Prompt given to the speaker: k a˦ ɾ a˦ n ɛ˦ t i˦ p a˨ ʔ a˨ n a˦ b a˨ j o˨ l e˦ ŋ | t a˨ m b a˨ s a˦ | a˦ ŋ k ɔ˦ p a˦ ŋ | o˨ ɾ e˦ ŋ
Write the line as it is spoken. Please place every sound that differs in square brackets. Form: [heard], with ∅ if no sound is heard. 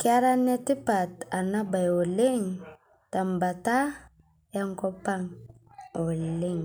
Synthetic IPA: k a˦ ɾ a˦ n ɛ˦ t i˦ p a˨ [t] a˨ n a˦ b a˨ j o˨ l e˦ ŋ | t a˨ m b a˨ [t] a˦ | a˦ ŋ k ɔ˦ p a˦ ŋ | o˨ [l] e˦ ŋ